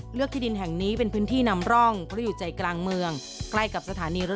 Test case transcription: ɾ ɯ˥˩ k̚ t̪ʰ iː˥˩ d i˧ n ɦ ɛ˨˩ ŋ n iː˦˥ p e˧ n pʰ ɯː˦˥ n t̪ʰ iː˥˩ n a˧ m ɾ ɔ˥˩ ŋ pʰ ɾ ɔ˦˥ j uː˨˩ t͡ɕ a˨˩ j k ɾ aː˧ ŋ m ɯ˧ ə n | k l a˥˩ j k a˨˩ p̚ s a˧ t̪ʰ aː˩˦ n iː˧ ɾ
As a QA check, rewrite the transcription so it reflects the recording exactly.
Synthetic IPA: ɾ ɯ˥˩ k̚ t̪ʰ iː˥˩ d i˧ n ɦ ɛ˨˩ ŋ n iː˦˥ p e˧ n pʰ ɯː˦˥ n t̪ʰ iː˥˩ n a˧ m ɾ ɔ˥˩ ŋ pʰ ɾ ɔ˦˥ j uː˨˩ t͡ɕ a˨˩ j k l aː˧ ŋ m ɯ˧ ə ŋ | k l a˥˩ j k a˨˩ p̚ s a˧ t̪ʰ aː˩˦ n iː˧ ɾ